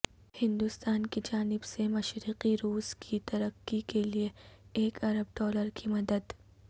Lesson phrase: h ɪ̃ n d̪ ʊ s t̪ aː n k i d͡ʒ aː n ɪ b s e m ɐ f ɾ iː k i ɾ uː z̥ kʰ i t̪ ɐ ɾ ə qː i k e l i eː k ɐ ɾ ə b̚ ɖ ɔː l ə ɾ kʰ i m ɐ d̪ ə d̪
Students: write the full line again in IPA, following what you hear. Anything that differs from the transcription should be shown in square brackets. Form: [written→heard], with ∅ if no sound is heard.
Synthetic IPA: h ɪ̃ n d̪ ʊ s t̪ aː n k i d͡ʒ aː n ɪ b s e m ɐ [f→ʃ] ɾ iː [k→q] i ɾ uː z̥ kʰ i t̪ ɐ ɾ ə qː i k e l i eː k ɐ ɾ ə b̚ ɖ ɔː l ə ɾ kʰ i m ɐ d̪ ə d̪